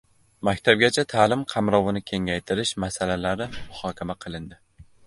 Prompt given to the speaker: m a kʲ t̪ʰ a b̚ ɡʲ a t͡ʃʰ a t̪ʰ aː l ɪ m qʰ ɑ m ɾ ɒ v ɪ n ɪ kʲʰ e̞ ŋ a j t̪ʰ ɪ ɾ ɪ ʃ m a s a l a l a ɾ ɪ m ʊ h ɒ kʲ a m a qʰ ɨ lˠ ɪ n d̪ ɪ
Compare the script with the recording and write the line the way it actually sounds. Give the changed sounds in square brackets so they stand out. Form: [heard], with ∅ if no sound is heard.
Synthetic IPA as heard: m a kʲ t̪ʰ a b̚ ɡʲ a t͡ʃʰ a t̪ʰ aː l ɪ m qʰ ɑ m ɾ ɒ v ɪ n ɪ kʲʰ e̞ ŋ a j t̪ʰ ɪ ɾ ɪ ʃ m a s a l a l a ɾ ɪ m ʊ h ɒ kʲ a m a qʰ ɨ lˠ ɪ n d̪ ɪ